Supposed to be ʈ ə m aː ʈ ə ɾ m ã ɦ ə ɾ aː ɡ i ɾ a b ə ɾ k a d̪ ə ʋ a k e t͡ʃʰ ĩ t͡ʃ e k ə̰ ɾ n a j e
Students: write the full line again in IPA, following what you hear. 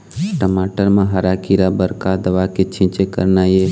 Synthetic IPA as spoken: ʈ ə m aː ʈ ə ɾ m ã ɦ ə ɾ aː k i ɾ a b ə ɾ k a d̪ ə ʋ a k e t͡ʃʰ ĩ t͡ʃ e k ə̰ ɾ n a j e